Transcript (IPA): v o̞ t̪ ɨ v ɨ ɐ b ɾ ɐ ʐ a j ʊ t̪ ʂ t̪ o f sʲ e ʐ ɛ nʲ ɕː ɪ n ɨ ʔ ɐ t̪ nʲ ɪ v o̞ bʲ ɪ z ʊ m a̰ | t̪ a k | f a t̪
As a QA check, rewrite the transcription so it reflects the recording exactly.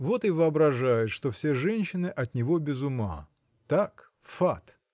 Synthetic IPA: v o̞ t̪ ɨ v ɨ ɐ b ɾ ɐ ʐ a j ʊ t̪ ʂ t̪ o f sʲ e ʐ ɛ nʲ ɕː ɪ n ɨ ʔ ɐ t̪ nʲ ɪ v o̞ bʲ ɪ z ʊ m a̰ | t̪ a k | f a t̪

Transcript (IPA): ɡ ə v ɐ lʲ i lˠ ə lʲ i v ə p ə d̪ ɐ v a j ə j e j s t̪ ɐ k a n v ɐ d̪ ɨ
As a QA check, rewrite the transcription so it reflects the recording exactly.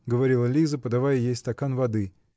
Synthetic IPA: ɡ ə v ɐ ɾʲ i lˠ ə lʲ i z ə p ə d̪ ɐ v a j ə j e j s t̪ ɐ k a n v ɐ d̪ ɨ

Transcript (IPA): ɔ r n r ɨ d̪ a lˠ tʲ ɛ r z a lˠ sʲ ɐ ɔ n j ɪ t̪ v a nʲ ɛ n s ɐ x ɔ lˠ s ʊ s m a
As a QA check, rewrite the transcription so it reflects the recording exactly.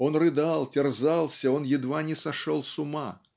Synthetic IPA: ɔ n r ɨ d̪ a lˠ tʲ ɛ r z a lˠ sʲ ɐ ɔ n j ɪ d̪ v a nʲ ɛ s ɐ ʂ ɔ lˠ s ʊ m a

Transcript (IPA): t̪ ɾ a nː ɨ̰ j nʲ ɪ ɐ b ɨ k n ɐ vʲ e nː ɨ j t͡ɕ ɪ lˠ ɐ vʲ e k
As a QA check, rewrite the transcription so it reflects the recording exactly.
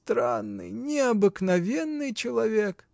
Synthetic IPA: t̪ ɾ a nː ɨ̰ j nʲ ɪ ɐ b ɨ k n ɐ vʲ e nː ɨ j t͡ɕ ɪ lˠ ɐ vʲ e k

